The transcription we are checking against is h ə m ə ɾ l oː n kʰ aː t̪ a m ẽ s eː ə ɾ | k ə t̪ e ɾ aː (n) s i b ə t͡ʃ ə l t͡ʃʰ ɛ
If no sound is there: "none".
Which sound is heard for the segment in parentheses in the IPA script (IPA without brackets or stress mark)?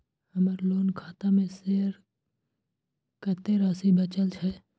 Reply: none